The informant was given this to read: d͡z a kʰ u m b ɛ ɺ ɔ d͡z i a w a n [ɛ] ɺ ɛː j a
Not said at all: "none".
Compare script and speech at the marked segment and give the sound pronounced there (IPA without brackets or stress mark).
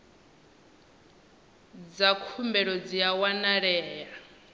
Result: a